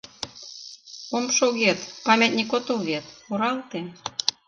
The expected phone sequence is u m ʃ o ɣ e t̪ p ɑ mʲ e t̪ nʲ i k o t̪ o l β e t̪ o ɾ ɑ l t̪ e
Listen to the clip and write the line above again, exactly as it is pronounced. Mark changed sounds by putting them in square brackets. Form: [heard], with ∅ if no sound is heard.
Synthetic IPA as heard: [o] m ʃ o ɣ e t̪ p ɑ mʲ e t̪ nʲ i k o t̪ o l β e t̪ o ɾ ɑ l t̪ e